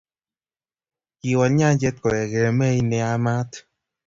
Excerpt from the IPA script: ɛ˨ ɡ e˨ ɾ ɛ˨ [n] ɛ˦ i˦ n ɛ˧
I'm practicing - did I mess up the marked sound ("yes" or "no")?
yes